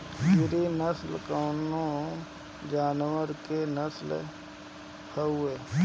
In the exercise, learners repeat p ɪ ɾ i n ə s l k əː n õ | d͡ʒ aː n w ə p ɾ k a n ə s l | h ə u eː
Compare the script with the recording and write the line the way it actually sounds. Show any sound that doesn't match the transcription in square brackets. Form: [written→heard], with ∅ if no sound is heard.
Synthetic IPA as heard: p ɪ ɾ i n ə s l k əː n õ | d͡ʒ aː n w ə [p→∅] ɾ k [a→e] n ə s l | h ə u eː